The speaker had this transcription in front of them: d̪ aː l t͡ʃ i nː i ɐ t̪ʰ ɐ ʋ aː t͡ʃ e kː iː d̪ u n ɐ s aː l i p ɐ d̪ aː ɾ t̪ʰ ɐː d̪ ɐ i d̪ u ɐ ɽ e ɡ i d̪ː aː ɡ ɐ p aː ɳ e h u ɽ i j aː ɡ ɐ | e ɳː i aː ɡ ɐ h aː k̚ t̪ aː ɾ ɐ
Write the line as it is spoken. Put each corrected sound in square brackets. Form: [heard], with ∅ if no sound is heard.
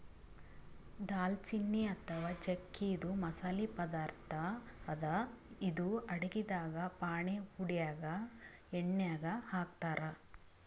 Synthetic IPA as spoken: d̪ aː l t͡ʃ i nː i ɐ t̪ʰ ɐ ʋ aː t͡ʃ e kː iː d̪ u [m] ɐ s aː l i p ɐ d̪ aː ɾ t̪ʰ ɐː d̪ ɐ i d̪ u ɐ ɽ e ɡ i [d̪] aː ɡ ɐ p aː ɳ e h u ɽ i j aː ɡ ɐ | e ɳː [j] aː ɡ ɐ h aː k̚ t̪ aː ɾ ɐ